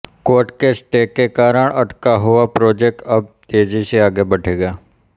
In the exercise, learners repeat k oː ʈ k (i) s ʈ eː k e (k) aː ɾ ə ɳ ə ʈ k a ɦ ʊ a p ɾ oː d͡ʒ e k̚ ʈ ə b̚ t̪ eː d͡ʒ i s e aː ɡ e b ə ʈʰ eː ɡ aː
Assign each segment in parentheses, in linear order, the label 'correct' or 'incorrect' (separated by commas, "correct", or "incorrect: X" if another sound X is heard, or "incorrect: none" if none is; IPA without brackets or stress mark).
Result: incorrect: e, correct